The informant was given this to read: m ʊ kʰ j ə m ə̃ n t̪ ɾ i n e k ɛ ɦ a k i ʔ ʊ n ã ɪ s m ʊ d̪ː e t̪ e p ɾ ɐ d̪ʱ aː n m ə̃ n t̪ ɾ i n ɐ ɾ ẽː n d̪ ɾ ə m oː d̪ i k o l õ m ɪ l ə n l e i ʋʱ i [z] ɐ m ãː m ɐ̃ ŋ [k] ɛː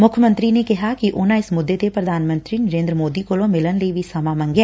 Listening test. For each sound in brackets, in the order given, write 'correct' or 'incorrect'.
incorrect, incorrect

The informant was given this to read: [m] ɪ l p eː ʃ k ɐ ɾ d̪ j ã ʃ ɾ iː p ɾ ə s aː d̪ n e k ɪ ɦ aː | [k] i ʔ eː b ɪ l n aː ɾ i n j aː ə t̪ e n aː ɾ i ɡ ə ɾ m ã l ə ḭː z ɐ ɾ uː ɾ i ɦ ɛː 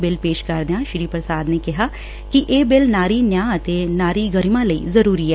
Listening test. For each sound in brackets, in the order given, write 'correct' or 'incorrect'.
incorrect, correct

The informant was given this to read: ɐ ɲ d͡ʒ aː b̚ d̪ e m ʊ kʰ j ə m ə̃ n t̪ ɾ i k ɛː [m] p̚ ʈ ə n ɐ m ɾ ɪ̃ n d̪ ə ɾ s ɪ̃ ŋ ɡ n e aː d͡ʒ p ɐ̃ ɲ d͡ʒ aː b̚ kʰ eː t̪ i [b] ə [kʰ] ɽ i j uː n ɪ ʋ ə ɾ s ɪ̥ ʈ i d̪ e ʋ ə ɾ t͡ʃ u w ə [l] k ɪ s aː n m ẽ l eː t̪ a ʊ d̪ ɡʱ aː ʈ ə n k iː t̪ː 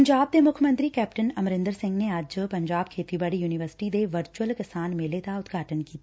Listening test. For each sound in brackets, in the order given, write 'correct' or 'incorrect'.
incorrect, correct, incorrect, correct

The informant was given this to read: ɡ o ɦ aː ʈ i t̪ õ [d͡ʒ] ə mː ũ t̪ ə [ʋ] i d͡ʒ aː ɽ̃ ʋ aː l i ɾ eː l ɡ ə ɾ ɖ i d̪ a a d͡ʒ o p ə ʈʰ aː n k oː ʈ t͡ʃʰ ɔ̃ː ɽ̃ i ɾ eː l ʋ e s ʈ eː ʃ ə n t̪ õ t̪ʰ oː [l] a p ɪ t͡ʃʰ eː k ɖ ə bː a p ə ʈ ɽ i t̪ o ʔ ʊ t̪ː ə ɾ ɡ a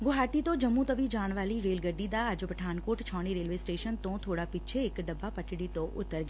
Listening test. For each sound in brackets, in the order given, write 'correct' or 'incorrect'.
correct, correct, incorrect

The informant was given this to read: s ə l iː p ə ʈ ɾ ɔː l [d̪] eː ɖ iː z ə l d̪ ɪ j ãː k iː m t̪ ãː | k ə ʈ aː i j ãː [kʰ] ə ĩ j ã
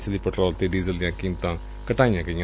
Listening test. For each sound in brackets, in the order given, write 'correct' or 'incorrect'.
incorrect, incorrect

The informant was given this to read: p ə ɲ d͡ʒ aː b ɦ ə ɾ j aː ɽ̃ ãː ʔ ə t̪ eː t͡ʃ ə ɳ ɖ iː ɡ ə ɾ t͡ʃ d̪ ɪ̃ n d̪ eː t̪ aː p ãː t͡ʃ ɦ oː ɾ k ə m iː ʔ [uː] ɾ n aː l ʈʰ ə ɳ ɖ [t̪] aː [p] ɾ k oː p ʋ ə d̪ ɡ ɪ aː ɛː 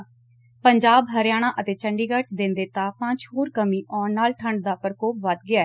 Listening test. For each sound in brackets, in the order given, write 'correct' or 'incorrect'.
incorrect, incorrect, correct

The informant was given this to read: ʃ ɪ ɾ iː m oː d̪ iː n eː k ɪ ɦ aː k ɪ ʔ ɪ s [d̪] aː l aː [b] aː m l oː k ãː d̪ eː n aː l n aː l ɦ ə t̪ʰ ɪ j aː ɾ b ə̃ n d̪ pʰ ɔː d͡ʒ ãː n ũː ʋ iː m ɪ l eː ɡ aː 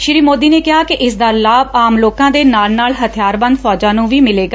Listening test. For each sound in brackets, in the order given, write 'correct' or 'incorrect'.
correct, correct

